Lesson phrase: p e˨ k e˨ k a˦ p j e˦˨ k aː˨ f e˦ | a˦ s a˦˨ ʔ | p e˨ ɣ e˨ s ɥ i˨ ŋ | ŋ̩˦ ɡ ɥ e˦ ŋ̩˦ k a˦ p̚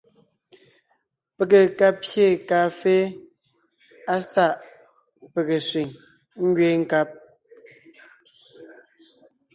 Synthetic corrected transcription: p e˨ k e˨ k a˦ p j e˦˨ k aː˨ f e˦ | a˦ s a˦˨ ʔ | p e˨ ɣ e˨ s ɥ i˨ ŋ | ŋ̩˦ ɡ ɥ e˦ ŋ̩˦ k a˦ p̚